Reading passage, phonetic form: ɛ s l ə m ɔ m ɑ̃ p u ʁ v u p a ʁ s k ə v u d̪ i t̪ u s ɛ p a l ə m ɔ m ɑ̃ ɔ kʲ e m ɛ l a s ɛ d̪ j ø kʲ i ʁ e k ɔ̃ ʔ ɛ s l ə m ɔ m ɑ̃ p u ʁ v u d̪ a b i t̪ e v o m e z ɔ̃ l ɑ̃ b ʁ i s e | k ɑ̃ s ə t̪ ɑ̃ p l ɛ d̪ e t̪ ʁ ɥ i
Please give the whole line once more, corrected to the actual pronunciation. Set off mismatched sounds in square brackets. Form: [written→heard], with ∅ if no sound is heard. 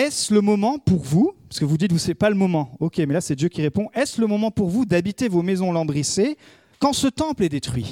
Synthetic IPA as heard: ɛ s l ə m ɔ m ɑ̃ p u ʁ v u p a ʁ s k ə v u d̪ i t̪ u s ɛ p a l ə m ɔ m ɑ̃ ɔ kʲ e m ɛ l a s ɛ d̪ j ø kʲ i ʁ e [k→p] ɔ̃ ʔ ɛ s l ə m ɔ m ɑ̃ p u ʁ v u d̪ a b i t̪ e v o m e z ɔ̃ l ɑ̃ b ʁ i s e | k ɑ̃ s ə t̪ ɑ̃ p l ɛ d̪ e t̪ [ʁ→χ] ɥ i